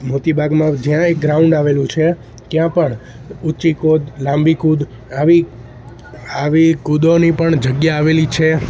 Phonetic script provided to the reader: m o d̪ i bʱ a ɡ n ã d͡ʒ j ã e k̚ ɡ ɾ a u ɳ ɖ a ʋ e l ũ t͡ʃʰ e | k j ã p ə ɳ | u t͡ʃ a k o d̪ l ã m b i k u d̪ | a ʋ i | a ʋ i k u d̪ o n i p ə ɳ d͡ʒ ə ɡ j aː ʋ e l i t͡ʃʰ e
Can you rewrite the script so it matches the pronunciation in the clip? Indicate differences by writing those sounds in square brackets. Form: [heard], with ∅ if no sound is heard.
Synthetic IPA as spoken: m o [t̪] i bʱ a ɡ [m] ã d͡ʒ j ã e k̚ ɡ ɾ a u ɳ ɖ a ʋ e l ũ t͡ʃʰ e | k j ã p ə ɳ | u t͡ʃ [i] k o d̪ l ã m b i k u d̪ | a ʋ i | a ʋ i k u d̪ o n i p ə ɳ d͡ʒ ə ɡ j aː ʋ e l i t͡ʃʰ e